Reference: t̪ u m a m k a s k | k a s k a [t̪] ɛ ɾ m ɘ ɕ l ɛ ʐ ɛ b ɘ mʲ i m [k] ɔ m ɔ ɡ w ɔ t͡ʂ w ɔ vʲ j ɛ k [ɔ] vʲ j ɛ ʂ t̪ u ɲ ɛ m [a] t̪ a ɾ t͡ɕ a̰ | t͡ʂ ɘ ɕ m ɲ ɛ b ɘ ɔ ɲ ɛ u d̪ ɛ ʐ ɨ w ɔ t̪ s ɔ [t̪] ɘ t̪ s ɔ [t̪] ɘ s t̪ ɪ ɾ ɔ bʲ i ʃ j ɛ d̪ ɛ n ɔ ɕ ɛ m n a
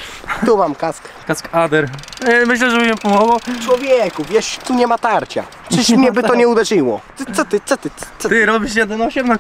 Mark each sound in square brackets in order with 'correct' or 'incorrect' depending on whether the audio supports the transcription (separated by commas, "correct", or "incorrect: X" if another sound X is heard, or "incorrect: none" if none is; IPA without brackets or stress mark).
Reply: incorrect: d̪, incorrect: p, incorrect: u, correct, correct, correct